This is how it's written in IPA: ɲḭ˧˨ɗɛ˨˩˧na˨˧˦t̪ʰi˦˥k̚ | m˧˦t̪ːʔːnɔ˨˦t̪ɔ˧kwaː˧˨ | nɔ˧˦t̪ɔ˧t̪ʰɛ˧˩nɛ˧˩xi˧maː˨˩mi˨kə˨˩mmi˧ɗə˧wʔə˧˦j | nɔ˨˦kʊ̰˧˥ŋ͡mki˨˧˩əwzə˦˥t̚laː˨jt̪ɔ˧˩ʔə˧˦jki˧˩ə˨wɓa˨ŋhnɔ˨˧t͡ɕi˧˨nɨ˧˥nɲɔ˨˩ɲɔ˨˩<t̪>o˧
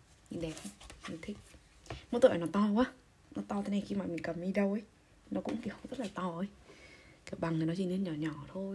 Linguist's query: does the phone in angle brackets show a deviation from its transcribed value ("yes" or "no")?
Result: yes